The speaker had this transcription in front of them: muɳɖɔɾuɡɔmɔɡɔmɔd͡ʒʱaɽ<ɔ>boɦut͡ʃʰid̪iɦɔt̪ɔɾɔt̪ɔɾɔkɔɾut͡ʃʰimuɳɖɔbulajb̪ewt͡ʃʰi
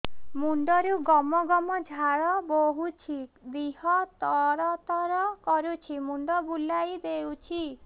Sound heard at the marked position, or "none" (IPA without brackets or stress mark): ɔ